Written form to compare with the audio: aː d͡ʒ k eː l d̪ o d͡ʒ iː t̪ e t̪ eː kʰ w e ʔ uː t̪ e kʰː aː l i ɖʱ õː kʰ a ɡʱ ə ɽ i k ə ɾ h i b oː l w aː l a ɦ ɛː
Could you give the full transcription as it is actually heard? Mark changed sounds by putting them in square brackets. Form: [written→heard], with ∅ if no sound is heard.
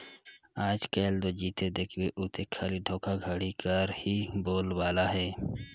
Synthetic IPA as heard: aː d͡ʒ k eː l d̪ o d͡ʒ iː t̪ e [t̪→d̪] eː kʰ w e ʔ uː t̪ e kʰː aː l i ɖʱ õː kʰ a ɡʱ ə ɽ i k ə ɾ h i b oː l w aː l a ɦ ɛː

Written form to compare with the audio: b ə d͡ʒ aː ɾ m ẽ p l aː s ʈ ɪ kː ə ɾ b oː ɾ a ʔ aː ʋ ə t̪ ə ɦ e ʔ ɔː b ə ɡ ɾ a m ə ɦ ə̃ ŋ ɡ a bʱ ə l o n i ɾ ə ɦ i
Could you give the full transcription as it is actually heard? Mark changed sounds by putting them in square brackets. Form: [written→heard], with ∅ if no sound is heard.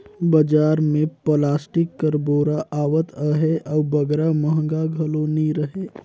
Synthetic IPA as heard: b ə d͡ʒ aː ɾ m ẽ p l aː s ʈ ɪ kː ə ɾ b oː ɾ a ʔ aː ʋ ə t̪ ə ɦ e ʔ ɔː b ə ɡ ɾ a m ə ɦ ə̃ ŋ ɡ a [bʱ→ɡʱ] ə l o n i ɾ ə ɦ [i→e]

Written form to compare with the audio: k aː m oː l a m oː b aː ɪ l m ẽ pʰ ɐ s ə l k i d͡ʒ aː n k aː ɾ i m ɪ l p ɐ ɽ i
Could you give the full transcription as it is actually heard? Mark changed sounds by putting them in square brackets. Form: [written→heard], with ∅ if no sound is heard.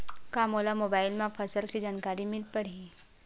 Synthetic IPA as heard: k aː m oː l a m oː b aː ɪ l m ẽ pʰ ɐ s ə l k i d͡ʒ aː n k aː ɾ i m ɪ l p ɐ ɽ i

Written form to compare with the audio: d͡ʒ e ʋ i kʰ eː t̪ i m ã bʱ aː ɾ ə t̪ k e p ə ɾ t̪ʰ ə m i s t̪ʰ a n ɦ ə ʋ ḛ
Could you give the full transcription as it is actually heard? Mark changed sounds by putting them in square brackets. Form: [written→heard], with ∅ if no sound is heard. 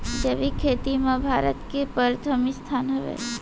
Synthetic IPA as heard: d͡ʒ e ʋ i kʰ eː t̪ i m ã bʱ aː ɾ ə t̪ k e p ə ɾ t̪ʰ ə m i s t̪ʰ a n ɦ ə ʋ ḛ

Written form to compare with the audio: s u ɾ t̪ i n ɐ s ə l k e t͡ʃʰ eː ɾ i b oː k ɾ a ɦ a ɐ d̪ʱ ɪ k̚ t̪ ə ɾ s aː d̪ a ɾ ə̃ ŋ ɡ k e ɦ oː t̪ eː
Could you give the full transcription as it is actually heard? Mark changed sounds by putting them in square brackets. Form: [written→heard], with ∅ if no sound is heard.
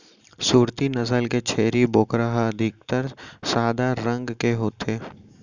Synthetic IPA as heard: s [u→uː] ɾ t̪ i n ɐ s ə l k e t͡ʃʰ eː ɾ i b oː k ɾ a ɦ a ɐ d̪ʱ ɪ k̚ t̪ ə ɾ s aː d̪ a ɾ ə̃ ŋ ɡ k e ɦ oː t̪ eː

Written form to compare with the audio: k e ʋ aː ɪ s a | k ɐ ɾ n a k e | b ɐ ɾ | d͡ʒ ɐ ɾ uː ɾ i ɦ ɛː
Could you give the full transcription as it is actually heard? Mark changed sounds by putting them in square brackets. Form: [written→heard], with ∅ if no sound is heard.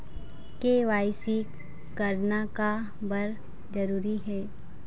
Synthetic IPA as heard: k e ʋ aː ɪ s [a→i] | k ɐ ɾ n a k [e→a] | b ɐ ɾ | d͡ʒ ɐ ɾ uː ɾ i ɦ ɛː

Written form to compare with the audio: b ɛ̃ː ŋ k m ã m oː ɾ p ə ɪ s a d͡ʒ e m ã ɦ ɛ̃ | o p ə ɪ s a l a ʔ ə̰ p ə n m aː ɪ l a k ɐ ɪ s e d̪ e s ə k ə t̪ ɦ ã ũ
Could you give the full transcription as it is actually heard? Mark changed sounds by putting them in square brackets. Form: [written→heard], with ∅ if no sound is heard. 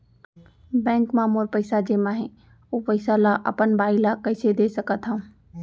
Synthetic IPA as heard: b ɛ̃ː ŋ k m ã m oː ɾ p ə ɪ s a d͡ʒ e m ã ɦ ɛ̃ | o p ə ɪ s a l a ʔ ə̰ p ə n [m→b] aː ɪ l a k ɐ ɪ s e d̪ e s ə k ə t̪ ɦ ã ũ

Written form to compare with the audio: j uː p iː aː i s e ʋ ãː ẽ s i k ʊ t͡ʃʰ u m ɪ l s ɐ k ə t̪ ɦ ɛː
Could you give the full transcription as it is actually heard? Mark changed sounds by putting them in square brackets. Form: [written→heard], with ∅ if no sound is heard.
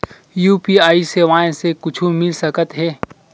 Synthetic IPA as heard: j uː p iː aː i s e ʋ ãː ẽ s [i→e] k ʊ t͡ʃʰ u m ɪ l s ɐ k ə t̪ ɦ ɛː

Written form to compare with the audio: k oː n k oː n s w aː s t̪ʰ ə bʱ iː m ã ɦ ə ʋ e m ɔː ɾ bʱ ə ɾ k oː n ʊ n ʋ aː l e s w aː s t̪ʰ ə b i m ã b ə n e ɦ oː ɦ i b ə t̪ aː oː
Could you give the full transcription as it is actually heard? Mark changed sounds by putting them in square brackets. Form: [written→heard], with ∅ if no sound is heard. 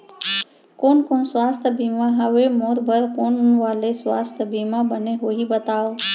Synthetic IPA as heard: k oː n k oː n s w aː s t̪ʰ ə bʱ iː m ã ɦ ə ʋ e m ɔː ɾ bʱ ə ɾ k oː n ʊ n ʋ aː l e s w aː s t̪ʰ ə b i m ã b ə n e ɦ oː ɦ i b ə t̪ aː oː

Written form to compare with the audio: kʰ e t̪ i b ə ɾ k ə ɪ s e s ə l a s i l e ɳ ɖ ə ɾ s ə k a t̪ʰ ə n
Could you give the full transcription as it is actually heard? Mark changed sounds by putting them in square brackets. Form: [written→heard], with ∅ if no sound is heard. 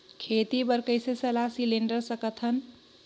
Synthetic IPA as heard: kʰ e t̪ i b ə ɾ k ə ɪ s e s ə l a s i l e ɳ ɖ ə ɾ s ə k [a→ə] t̪ʰ ə n

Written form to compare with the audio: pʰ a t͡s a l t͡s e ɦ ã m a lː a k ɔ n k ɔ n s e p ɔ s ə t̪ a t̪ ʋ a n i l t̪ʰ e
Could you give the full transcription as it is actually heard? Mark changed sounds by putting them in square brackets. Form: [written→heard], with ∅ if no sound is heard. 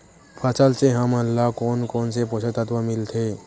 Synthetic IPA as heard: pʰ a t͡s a l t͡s e ɦ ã m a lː a k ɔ n k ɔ n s e p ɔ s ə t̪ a t̪ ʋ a [n→m] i l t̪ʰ e

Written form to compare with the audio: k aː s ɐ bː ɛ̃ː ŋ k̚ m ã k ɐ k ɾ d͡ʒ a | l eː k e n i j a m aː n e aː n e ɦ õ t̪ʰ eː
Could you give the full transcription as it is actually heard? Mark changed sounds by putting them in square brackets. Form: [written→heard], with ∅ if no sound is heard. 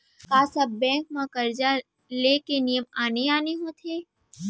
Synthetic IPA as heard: k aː s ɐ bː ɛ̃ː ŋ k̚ m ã k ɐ [k→∅] ɾ d͡ʒ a | l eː k e n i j [a→ə] m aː n e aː n e ɦ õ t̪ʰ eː

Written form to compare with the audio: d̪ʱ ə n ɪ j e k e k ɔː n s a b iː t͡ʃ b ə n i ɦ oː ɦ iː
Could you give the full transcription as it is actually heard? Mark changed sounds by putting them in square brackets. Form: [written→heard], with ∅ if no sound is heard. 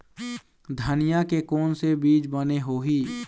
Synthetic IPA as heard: d̪ʱ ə n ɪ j [e→a] k e k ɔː n s [a→e] b iː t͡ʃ b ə n [i→e] ɦ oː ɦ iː

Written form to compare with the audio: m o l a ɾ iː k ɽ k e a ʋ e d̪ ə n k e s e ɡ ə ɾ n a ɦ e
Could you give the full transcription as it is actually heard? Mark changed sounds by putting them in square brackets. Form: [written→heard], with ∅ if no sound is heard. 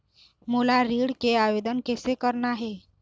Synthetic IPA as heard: m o l a ɾ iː [k→∅] ɽ k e a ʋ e d̪ ə n k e s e [ɡ→k] ə ɾ n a ɦ e

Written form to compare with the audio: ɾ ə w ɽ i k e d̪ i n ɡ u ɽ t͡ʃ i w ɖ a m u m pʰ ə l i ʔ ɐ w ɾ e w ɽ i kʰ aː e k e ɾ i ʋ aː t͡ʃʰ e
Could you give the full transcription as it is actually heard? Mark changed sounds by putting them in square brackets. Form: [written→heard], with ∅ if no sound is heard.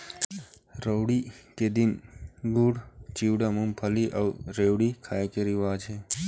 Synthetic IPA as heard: ɾ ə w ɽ i k e d̪ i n ɡ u ɽ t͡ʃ i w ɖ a m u m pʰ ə l i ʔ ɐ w ɾ e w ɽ i kʰ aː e k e ɾ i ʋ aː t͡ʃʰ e

